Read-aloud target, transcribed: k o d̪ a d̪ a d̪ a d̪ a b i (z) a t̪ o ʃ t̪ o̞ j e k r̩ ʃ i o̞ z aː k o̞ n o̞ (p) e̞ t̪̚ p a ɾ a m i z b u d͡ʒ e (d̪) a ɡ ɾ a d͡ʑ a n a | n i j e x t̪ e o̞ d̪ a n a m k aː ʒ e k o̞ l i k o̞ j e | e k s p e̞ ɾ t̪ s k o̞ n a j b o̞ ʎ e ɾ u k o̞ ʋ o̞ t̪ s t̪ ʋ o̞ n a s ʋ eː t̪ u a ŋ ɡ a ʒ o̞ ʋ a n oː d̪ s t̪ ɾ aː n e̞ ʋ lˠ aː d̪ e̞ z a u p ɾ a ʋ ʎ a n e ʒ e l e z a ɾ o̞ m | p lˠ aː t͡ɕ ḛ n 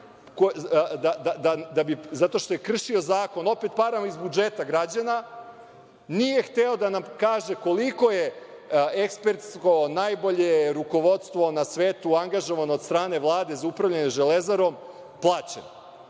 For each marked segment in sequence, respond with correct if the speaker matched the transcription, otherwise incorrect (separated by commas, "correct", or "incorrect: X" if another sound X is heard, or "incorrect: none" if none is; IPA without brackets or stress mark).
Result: correct, correct, incorrect: t̪